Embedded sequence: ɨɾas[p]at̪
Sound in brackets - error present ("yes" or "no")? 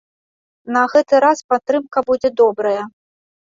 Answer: no